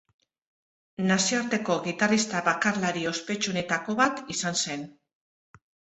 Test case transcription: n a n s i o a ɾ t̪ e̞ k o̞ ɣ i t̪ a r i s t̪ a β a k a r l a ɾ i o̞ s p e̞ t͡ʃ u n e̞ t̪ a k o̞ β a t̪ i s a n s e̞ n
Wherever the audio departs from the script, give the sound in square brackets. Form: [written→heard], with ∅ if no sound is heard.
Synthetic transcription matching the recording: n a [n→∅] s i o a ɾ t̪ e̞ k o̞ ɣ i t̪ a r i s t̪ a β a k a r l a ɾ i o̞ s p e̞ t͡ʃ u n e̞ t̪ a k o̞ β a t̪ i s a n s e̞ n